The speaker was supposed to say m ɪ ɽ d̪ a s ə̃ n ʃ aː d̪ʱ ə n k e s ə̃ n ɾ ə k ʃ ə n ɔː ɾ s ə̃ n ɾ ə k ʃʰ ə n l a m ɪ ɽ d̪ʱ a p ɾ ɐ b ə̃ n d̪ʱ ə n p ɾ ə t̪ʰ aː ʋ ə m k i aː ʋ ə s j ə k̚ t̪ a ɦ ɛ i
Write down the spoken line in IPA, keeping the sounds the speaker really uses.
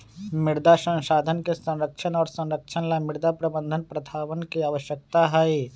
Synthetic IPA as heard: m ɪ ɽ d̪ a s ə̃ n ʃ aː d̪ʱ ə n k e s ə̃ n ɾ ə k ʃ ə n ɔː ɾ s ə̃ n ɾ ə k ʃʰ ə n l a m ɪ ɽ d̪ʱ a p ɾ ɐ b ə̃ n d̪ʱ ə n p ɾ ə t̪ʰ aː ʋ ə n k i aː ʋ ə ʃ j ə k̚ t̪ a ɦ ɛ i